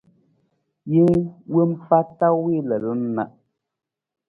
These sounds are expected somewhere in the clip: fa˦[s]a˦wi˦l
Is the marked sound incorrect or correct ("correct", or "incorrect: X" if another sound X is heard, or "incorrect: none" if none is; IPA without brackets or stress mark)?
incorrect: t